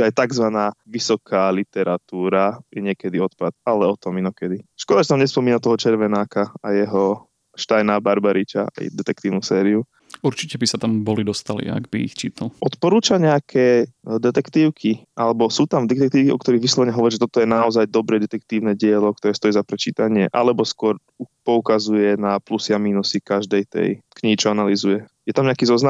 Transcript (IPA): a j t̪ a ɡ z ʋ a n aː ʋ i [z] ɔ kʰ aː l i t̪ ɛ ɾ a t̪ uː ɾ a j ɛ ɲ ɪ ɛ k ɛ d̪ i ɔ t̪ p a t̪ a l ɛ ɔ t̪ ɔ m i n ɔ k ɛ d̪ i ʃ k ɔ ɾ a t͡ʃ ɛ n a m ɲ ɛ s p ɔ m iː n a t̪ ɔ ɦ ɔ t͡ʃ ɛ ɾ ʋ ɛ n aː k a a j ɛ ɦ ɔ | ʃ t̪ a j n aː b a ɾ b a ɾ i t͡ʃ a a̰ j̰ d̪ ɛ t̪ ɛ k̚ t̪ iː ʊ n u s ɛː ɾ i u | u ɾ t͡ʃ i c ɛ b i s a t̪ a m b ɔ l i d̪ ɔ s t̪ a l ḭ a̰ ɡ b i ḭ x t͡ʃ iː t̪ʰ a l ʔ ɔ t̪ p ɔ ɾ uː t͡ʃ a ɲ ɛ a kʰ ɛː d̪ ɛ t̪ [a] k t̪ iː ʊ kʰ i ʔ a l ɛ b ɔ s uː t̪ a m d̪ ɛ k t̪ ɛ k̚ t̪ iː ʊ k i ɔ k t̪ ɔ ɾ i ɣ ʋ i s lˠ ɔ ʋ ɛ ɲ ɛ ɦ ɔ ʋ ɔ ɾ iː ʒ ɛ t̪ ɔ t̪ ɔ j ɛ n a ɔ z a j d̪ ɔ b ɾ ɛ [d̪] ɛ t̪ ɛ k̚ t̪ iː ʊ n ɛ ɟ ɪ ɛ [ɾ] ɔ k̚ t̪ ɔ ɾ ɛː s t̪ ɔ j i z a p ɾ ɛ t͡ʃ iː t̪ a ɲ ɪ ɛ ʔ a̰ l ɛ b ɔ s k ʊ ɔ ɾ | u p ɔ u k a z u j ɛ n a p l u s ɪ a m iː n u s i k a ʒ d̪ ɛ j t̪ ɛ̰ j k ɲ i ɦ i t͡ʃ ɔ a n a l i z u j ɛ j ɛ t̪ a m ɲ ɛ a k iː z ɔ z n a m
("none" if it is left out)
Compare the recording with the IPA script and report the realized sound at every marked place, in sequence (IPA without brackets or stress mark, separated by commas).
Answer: s, ɛ, d̪, l